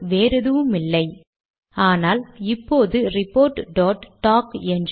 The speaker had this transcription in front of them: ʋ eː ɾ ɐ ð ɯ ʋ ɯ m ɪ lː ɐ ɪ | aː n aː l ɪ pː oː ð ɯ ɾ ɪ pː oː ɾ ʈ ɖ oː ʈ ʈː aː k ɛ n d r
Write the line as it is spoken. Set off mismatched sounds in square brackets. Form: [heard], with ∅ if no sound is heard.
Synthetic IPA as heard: ʋ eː ɾ ɐ ð ɯ ʋ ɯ m ɪ lː ɐ ɪ | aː n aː l ɪ pː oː ð ɯ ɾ ɪ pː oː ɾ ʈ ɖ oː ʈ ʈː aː k ɛ n d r

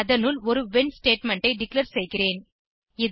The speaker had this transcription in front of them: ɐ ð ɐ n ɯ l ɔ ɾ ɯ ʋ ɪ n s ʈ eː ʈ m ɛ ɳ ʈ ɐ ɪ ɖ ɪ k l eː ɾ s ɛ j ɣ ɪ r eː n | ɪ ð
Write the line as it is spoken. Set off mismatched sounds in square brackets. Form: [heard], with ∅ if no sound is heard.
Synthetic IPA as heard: ɐ ð ɐ n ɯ l ɔ ɾ ɯ ʋ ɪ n s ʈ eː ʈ m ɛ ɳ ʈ ɐ ɪ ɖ ɪ k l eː ɾ s ɛ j ɣ ɪ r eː n | ɪ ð

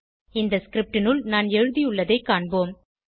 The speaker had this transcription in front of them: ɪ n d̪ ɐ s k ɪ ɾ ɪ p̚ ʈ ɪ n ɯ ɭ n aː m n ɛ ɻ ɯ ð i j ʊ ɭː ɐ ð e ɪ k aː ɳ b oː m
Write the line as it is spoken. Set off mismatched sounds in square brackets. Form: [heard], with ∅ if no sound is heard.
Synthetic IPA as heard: ɪ n d̪ ɐ s k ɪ ɾ ɪ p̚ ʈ ɪ n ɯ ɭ n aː [∅] n ɛ ɻ ɯ ð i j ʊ ɭː ɐ ð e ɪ k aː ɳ b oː m

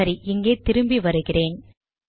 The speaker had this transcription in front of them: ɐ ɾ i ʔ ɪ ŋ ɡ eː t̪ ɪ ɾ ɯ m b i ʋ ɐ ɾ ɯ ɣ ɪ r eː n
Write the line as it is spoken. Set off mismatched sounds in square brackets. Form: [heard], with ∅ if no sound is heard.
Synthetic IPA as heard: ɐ ɾ i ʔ ɪ ŋ ɡ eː t̪ ɪ ɾ ɯ m b i ʋ ɐ ɾ ɯ ɣ ɪ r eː n

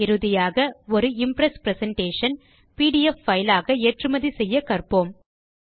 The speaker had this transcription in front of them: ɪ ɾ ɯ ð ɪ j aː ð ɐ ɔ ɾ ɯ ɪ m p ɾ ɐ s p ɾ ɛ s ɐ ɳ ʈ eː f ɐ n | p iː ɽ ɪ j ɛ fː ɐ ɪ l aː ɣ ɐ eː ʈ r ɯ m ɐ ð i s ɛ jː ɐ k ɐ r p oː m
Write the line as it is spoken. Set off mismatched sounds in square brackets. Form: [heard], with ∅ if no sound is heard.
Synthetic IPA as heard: ɪ ɾ ɯ ð ɪ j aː [ɣ] ɐ ɔ ɾ ɯ ɪ m p ɾ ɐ s p ɾ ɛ s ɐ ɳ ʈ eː [ʂ] ɐ n | p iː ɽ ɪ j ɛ fː ɐ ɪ l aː ɣ ɐ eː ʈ r ɯ m ɐ ð i s ɛ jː ɐ k ɐ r p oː m

